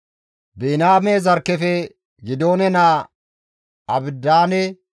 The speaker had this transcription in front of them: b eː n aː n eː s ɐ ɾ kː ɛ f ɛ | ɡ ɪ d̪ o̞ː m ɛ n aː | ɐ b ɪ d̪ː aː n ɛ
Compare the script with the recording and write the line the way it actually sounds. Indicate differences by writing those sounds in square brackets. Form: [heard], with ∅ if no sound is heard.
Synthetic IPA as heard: b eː n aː [m] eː [z] ɐ ɾ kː ɛ f ɛ | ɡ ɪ d̪ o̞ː [n] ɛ n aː | ɐ b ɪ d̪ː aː n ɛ